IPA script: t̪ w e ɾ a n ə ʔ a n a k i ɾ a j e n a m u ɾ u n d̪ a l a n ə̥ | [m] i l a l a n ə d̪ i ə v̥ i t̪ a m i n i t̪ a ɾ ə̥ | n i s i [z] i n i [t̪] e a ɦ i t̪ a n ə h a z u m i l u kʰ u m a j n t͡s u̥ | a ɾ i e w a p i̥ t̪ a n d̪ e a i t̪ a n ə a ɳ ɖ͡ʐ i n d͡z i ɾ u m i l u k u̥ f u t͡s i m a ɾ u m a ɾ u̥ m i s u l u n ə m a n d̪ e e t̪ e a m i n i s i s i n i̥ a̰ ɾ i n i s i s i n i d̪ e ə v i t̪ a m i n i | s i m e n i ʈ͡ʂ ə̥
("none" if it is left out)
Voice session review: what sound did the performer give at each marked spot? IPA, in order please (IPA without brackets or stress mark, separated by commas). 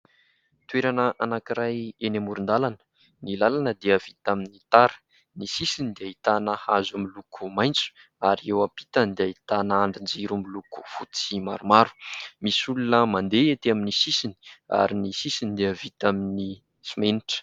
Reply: n, s, d̪